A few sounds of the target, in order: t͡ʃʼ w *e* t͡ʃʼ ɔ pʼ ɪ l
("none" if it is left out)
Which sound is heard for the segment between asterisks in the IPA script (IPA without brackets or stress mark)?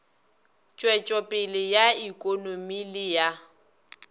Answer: ɛ